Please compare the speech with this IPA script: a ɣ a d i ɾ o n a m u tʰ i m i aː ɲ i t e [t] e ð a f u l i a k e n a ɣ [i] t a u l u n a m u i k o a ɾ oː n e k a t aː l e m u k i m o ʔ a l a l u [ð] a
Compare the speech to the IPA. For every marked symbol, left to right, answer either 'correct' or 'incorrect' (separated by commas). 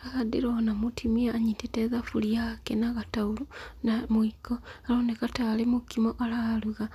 correct, incorrect, incorrect